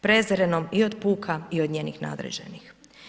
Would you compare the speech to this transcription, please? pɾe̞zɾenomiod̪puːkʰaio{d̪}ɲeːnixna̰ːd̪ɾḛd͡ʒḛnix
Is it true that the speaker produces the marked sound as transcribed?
yes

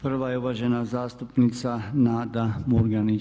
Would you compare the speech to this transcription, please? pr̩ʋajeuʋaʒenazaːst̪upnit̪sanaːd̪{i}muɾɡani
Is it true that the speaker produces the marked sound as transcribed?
no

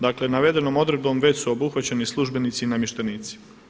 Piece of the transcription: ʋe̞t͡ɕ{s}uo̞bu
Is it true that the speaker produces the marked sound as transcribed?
yes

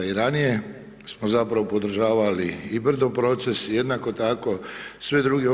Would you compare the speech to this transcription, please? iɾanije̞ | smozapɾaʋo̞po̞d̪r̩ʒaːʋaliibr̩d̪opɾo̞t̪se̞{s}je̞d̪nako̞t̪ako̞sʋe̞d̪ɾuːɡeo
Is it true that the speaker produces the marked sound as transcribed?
yes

